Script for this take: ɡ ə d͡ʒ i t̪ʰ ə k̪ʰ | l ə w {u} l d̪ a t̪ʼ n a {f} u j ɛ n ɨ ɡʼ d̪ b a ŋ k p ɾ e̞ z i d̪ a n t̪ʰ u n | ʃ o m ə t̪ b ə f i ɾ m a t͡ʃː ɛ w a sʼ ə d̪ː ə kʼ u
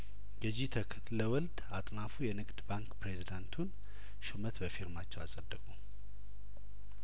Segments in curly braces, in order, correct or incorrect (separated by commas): incorrect, correct